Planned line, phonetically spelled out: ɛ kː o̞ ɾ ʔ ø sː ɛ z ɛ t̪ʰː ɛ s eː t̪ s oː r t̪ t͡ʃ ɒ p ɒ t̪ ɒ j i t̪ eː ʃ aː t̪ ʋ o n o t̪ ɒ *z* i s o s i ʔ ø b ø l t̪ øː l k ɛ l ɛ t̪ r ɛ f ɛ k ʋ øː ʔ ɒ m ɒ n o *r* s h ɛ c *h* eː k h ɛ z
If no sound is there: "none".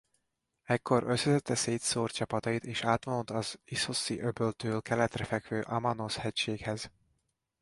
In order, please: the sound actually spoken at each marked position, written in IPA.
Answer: z, none, ʃ

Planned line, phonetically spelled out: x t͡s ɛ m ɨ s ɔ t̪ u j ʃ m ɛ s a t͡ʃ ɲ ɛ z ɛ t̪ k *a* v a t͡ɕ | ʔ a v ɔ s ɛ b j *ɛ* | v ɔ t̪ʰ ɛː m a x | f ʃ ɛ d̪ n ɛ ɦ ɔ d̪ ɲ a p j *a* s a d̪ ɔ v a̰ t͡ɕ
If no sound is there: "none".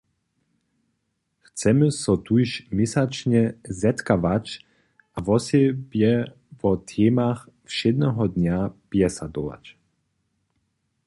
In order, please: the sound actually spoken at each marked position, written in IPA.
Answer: a, ɛ, ɛ

